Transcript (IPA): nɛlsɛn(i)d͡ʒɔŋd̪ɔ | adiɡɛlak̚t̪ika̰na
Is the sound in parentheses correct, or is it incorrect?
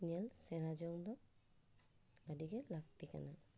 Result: incorrect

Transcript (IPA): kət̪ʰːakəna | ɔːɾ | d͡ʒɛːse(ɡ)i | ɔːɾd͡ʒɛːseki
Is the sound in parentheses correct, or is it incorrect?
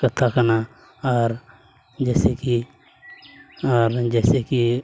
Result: incorrect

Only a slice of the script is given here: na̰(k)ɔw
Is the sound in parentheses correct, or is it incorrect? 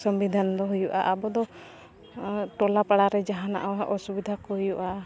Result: incorrect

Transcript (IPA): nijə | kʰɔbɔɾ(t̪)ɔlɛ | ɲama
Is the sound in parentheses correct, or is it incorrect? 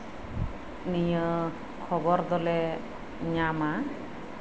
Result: incorrect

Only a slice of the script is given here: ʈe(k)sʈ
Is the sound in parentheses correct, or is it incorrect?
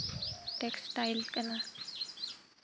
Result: correct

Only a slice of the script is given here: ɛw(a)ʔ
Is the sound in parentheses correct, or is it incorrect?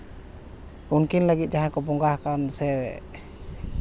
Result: incorrect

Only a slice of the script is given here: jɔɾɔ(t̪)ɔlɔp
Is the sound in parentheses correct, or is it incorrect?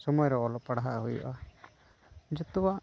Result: incorrect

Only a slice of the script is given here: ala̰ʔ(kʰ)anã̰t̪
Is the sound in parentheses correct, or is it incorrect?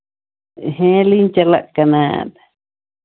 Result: incorrect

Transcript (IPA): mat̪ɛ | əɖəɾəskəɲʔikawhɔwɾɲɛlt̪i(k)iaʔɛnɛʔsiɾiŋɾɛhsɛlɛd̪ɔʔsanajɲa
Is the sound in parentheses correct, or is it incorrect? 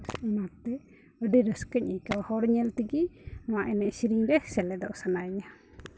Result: incorrect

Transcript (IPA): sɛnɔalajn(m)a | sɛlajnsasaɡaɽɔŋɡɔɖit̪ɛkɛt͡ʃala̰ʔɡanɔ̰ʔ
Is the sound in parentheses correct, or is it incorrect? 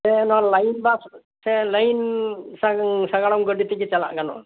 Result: incorrect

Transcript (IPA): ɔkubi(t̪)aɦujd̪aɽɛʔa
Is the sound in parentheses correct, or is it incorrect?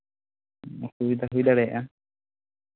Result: incorrect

